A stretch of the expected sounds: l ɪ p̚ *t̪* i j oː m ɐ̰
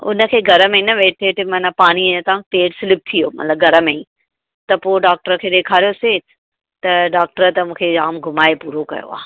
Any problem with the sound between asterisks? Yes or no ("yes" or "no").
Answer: yes